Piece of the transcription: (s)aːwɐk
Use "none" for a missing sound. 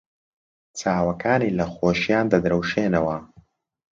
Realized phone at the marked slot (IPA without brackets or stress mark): t͡s